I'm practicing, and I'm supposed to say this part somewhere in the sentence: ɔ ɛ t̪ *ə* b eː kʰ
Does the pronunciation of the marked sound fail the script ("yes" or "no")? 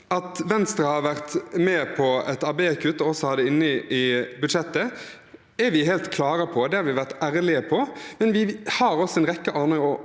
yes